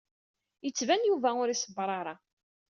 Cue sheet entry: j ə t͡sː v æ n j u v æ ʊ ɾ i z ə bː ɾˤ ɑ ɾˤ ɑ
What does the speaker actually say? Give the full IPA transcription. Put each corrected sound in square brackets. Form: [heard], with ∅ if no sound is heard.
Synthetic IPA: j ə t͡sː v æ n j u v æ ʊ ɾ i [s] ə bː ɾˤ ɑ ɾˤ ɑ

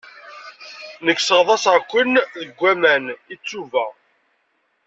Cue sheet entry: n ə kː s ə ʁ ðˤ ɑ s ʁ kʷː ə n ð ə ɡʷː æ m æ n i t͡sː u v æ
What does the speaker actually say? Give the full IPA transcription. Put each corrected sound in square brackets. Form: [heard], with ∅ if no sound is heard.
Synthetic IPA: n ə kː s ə ʁ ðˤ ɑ s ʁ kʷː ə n ð ə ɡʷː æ m æ n i t͡sː u v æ

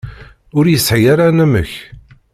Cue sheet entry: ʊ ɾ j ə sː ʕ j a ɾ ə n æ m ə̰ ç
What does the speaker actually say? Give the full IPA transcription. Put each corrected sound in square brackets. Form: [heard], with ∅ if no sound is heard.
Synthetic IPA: ʊ ɾ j ə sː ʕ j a ɾ [a] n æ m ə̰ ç

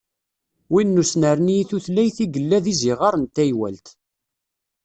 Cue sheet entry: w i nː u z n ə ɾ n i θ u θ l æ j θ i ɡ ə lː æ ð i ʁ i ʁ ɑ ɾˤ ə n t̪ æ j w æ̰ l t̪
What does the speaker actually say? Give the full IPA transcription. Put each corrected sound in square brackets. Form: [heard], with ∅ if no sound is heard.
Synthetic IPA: w i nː u [s] n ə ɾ n i θ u θ l æ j θ i ɡ ə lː æ ð i [z] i ʁ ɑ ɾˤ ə n t̪ æ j w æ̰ l t̪

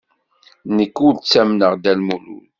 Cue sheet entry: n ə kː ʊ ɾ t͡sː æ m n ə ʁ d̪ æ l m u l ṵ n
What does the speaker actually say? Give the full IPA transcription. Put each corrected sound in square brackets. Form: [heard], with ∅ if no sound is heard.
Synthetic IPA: n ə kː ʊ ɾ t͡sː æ m n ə ʁ d̪ æ l m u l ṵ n

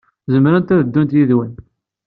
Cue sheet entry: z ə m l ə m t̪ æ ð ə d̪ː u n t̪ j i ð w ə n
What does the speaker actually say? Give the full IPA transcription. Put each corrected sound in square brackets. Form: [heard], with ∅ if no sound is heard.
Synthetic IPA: z ə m [ɾ] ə [n] t̪ æ ð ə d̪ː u n t̪ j i ð w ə n

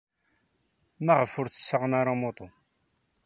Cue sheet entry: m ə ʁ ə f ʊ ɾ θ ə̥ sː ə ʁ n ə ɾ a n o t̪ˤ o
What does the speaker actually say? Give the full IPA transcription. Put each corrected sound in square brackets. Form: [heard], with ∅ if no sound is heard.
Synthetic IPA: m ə ʁ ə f ʊ ɾ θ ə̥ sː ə ʁ n [a] ɾ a [m] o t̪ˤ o

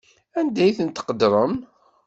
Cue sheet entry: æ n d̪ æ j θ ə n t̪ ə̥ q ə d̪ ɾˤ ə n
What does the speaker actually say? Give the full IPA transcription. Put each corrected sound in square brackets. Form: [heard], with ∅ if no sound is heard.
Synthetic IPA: æ n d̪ æ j θ ə n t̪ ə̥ q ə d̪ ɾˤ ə [m]

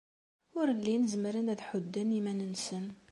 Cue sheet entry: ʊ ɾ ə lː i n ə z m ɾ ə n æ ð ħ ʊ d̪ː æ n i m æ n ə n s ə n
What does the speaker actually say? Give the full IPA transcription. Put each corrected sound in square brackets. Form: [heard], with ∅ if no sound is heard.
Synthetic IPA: ʊ ɾ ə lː i n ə z m ɾ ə n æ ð ħ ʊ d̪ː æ n i m æ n ə n s ə n

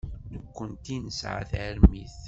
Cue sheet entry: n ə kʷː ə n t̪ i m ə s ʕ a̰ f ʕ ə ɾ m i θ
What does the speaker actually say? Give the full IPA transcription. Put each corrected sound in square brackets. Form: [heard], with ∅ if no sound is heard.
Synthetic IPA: n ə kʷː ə n t̪ i [n] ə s ʕ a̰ [θ] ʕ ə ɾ m i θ

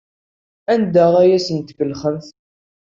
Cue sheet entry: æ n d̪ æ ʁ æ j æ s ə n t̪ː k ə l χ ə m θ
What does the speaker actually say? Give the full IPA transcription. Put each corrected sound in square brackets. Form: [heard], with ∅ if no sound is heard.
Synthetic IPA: æ n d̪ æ ʁ æ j æ s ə n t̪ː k ə l χ ə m θ

